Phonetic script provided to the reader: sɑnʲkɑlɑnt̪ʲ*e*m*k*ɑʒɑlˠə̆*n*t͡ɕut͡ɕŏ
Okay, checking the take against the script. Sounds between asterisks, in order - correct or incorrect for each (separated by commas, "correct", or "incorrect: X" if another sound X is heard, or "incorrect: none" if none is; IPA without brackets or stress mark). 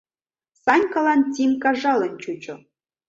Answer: incorrect: i, correct, correct